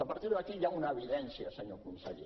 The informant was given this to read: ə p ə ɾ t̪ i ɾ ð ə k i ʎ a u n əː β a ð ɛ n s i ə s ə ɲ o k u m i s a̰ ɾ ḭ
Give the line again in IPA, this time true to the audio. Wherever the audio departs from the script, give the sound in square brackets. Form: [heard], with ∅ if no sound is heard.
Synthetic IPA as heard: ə p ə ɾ t̪ i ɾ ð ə k i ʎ a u n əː β [i] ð ɛ n s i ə s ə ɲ o k u m i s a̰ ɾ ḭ